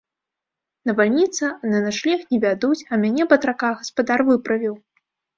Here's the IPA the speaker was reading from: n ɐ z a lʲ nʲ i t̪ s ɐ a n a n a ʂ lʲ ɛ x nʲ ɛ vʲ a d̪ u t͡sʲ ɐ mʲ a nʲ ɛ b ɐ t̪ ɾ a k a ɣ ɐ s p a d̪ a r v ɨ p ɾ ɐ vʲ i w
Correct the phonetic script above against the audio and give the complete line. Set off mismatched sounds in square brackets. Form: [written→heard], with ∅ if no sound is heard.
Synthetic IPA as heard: n ɐ [z→v] a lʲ nʲ i t̪ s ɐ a n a n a ʂ lʲ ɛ x nʲ ɛ vʲ a d̪ u t͡sʲ ɐ mʲ a nʲ ɛ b ɐ t̪ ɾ a k a ɣ ɐ s p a d̪ a r v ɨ p ɾ ɐ vʲ i w